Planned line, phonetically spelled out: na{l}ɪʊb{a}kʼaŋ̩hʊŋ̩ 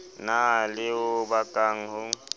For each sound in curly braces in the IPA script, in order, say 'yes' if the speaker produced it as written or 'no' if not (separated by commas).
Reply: yes, yes